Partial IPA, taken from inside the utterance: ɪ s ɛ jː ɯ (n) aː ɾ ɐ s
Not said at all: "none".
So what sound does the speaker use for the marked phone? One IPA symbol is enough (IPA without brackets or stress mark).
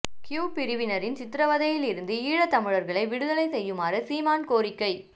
m